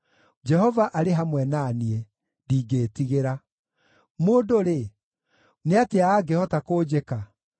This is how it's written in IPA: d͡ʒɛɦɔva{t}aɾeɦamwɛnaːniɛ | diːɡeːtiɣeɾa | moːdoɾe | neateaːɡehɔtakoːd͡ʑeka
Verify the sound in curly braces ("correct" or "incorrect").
incorrect